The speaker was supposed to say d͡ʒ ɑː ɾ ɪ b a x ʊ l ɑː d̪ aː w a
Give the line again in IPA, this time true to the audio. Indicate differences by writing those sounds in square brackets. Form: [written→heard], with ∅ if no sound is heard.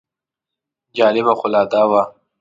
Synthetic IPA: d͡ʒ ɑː [ɾ→l] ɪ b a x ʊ l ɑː d̪ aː w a